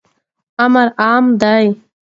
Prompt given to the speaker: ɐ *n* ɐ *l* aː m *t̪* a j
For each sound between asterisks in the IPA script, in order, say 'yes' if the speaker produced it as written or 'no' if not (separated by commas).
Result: no, no, no